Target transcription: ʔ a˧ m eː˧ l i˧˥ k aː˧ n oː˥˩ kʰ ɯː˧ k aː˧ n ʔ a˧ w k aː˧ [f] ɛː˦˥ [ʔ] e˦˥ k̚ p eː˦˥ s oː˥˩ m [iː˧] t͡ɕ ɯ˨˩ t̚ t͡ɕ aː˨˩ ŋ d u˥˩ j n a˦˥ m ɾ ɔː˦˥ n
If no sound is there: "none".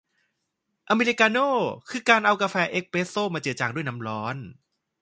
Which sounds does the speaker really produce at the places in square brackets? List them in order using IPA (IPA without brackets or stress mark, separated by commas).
f, ʔ, aː˧